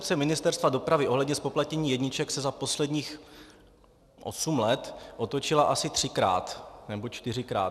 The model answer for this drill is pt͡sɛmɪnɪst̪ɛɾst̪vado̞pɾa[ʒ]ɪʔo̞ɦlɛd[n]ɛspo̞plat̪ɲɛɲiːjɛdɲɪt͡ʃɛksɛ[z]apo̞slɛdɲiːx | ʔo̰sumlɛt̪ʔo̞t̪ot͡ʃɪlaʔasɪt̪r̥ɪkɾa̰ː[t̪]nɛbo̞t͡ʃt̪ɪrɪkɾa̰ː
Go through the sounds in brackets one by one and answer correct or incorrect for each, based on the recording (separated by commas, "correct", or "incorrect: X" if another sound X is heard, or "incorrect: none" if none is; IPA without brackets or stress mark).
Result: incorrect: v, incorrect: ɲ, correct, correct